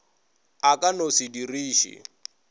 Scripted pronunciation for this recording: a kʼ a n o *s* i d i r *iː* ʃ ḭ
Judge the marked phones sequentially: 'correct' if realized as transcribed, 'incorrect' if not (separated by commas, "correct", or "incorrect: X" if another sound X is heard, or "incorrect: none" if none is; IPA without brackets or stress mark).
correct, correct